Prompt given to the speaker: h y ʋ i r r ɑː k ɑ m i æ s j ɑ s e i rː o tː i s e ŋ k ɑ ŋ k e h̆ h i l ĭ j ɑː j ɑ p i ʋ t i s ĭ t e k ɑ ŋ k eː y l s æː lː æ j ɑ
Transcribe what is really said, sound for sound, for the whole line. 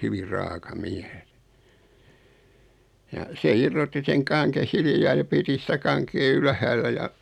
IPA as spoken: h y ʋ i r r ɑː k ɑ m i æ s j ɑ s e i rː o tː i s e ŋ k ɑ ŋ k e h̆ h i l ĭ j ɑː j ɑ p i t i s ĭ t æ k ɑ ŋ k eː y l h æː lː æ j ɑ